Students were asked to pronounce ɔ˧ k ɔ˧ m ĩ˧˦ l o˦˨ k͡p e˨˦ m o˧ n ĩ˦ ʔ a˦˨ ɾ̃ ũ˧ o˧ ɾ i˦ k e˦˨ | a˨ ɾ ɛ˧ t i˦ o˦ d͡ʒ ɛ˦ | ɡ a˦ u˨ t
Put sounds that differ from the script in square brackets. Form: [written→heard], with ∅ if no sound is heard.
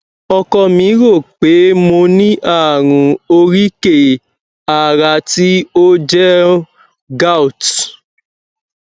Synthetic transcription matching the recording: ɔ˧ k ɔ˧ m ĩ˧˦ [l→ɾ] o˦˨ k͡p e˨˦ m o˧ n ĩ˦ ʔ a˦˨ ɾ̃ ũ˧ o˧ ɾ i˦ k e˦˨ | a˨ ɾ [ɛ˧→a˧] t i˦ o˦ d͡ʒ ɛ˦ | ɡ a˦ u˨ t